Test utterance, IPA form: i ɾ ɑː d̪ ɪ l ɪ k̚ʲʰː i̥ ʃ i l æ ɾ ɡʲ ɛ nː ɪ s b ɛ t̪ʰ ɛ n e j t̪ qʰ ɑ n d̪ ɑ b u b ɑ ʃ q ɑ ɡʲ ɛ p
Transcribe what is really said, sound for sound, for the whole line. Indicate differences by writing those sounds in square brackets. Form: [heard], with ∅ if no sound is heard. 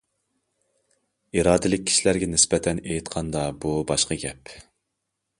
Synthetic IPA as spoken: i ɾ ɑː d̪ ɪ l ɪ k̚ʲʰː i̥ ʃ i l æ ɾ ɡʲ ɛ [n] ɪ s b ɛ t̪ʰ ɛ n e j t̪ qʰ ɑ n d̪ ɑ b u b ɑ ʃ q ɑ ɡʲ ɛ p